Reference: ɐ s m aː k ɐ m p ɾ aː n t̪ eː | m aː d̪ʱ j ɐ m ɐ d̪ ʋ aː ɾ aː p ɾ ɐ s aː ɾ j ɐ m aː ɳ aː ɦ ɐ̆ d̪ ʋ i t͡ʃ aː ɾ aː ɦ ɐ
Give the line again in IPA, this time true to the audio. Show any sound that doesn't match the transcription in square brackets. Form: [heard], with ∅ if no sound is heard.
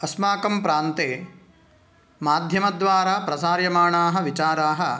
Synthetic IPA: ɐ s m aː k ɐ m p ɾ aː n t̪ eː | m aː d̪ʱ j ɐ m ɐ d̪ ʋ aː ɾ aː p ɾ ɐ s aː ɾ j ɐ m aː ɳ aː ɦ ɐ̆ [∅] ʋ i t͡ʃ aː ɾ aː ɦ ɐ